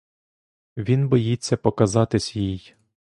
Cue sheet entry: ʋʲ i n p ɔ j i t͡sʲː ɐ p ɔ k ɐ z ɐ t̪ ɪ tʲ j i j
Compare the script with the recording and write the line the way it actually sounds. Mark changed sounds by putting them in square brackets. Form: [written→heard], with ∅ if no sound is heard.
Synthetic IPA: ʋʲ i n [p→b] ɔ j i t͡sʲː ɐ p ɔ k ɐ z [ɐ→ɑ] t̪ ɪ [tʲ→sʲ] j i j